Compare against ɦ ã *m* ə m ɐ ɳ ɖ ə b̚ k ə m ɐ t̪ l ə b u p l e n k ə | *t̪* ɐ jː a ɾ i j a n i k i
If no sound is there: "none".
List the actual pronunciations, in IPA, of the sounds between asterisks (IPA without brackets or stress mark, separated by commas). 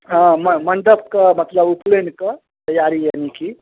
m, t̪